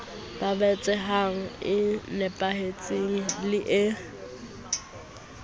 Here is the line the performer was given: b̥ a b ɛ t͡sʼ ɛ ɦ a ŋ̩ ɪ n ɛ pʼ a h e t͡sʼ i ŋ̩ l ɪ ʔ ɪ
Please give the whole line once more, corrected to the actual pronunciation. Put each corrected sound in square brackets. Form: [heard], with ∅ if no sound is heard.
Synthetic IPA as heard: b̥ a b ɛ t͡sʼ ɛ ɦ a ŋ̩ ɪ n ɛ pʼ a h e t͡sʼ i ŋ̩ l ɪ ʔ ɪ